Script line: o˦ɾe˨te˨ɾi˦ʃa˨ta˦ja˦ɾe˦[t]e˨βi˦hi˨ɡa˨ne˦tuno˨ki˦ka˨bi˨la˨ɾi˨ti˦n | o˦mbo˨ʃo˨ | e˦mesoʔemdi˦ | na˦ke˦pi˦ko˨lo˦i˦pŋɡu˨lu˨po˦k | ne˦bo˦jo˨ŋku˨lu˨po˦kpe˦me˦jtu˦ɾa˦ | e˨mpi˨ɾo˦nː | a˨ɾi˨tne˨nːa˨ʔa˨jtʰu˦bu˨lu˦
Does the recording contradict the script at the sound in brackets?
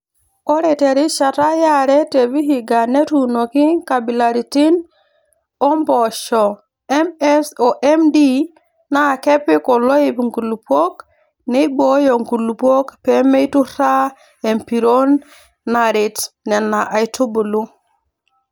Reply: no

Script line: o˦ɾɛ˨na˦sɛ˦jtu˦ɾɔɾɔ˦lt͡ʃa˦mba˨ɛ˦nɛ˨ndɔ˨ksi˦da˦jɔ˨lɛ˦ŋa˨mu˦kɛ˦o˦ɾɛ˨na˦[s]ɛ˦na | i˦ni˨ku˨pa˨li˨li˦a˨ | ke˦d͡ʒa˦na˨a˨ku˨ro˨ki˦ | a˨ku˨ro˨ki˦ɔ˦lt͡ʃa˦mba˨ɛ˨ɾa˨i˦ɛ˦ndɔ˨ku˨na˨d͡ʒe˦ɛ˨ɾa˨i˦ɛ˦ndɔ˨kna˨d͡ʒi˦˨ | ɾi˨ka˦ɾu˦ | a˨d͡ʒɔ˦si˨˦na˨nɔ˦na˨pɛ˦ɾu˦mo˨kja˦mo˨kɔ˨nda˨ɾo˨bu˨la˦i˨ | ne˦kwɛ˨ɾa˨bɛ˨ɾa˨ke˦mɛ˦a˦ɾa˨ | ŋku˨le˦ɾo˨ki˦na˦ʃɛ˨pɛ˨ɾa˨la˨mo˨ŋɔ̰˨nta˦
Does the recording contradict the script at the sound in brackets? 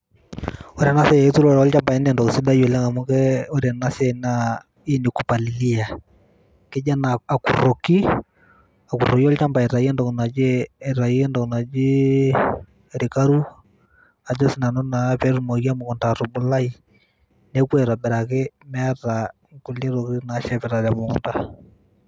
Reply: no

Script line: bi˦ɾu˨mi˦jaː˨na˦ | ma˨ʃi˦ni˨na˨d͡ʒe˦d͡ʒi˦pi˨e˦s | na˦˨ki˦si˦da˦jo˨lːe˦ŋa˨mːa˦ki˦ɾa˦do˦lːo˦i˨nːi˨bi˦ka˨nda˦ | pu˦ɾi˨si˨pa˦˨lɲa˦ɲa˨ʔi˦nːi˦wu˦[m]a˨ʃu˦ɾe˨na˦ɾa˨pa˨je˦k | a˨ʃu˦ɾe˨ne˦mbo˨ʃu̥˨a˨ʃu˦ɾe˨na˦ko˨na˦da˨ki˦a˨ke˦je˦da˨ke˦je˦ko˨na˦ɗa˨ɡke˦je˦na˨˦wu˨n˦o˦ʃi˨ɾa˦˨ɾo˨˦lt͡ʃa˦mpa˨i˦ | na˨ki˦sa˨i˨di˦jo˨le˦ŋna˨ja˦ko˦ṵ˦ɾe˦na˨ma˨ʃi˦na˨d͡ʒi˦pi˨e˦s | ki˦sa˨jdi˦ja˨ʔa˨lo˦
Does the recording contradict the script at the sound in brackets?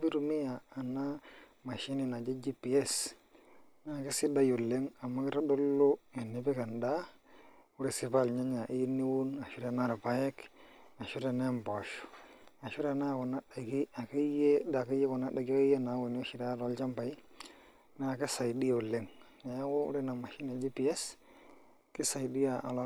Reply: yes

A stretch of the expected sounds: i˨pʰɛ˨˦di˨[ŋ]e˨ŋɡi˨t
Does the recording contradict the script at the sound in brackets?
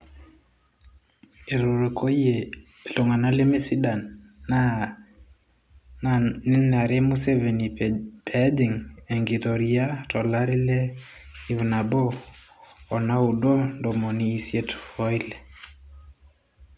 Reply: no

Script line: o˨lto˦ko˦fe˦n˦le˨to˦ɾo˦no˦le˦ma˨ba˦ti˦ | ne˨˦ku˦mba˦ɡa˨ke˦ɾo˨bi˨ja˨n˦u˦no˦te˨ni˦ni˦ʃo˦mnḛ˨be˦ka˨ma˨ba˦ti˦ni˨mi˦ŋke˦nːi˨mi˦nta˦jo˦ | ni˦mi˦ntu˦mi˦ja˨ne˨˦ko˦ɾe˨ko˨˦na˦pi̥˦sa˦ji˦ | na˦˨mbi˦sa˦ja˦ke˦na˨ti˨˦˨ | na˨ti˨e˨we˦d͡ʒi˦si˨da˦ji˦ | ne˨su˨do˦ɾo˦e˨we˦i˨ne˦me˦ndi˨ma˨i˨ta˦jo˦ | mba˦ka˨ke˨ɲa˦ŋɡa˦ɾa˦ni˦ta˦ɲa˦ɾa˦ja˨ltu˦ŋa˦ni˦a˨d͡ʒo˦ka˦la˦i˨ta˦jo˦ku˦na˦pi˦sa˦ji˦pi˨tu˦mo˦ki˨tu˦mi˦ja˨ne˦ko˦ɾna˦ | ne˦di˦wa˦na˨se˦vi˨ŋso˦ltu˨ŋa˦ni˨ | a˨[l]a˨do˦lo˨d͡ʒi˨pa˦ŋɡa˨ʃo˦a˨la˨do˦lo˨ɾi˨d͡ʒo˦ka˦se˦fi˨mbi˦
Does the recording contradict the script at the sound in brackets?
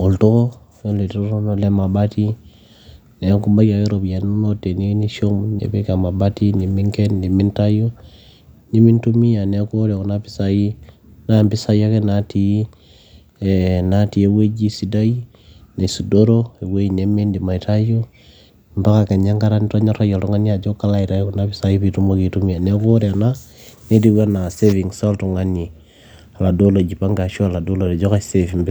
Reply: no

